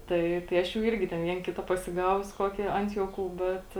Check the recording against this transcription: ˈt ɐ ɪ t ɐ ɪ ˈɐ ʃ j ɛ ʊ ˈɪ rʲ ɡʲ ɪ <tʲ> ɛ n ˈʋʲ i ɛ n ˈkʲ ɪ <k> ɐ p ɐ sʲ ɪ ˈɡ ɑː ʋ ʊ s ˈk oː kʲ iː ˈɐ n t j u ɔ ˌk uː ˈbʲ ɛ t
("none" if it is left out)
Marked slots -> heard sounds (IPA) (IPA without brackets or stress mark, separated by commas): tʲ, t